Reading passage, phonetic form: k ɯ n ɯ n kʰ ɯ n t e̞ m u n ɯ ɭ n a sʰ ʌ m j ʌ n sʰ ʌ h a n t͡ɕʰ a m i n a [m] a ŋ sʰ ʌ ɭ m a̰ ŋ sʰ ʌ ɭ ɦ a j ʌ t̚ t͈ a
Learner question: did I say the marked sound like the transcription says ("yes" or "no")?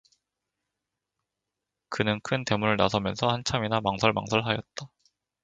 yes